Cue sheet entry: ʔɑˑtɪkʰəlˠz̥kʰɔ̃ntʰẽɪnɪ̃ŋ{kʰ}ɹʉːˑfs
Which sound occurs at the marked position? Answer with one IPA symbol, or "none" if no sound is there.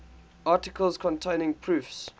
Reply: pʰ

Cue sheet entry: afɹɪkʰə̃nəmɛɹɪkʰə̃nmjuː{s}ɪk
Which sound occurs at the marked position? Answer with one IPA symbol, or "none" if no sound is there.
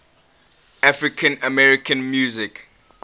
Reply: z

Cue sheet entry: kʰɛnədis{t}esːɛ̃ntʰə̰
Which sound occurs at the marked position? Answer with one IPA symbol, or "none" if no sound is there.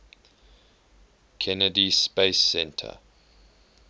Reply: p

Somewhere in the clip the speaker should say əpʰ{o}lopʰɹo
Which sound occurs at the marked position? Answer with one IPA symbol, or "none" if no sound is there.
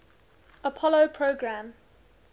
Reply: ɔ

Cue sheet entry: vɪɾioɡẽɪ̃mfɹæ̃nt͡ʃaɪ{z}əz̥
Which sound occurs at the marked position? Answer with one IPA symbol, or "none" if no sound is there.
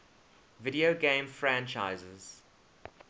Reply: z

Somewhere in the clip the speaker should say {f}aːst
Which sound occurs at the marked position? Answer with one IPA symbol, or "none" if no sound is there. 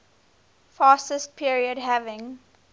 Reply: f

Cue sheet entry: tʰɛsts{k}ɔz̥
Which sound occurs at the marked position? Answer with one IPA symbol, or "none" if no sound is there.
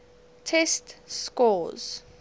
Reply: k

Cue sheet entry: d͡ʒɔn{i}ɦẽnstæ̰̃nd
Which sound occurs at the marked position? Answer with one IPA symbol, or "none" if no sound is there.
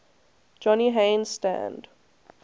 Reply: i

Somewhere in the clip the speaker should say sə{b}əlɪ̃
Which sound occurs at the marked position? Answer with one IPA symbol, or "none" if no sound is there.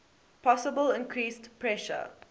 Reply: b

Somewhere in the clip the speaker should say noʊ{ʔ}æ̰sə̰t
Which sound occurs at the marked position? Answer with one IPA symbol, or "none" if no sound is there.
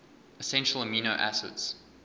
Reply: ʔ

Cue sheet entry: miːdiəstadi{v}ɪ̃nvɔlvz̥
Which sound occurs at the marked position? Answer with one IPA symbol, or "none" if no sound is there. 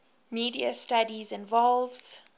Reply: z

